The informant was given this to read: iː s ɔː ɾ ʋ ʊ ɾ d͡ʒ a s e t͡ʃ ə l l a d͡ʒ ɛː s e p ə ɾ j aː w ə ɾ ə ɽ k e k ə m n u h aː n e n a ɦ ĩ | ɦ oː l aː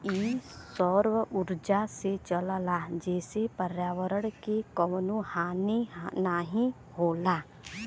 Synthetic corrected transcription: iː s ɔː ɾ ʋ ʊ ɾ d͡ʒ a s e t͡ʃ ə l l a d͡ʒ ɛː s e p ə ɾ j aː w ə ɾ ə ɽ k e k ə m n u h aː n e n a ɦ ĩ | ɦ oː l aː